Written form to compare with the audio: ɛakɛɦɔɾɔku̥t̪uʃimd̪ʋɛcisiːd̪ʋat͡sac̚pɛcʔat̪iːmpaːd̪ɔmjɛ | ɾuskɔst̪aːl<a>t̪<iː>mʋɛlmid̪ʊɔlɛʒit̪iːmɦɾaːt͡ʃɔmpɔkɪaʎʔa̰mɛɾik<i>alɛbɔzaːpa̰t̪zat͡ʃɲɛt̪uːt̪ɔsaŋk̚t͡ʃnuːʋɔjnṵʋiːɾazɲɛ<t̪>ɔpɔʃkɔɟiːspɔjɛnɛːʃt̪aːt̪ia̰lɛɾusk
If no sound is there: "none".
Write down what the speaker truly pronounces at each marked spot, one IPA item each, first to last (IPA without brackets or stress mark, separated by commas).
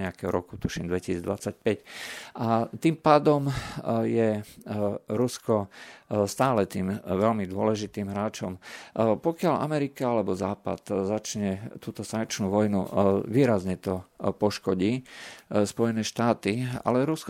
ɛ, iː, a, t̪